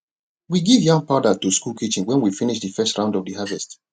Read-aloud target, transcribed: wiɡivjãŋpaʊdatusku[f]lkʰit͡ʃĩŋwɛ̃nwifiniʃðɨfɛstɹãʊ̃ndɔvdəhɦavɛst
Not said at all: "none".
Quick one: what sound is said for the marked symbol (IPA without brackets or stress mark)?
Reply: none